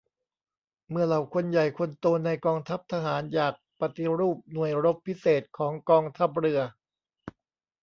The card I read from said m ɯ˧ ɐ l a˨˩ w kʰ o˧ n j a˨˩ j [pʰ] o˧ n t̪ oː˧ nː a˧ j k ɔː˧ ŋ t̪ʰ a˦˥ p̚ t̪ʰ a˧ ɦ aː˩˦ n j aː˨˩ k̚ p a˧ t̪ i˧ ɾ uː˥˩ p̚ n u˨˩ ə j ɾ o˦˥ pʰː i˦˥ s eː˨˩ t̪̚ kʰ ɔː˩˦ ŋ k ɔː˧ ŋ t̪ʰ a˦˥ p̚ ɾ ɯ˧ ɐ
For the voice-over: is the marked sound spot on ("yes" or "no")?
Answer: no